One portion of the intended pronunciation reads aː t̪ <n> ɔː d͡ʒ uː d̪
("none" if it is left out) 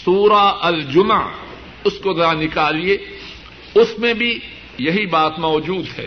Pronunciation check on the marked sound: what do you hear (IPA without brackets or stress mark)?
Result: m